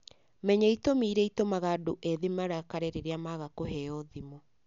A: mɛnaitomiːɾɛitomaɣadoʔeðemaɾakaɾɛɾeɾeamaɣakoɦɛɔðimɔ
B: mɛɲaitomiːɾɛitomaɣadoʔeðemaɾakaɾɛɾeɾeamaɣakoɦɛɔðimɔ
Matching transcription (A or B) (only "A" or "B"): B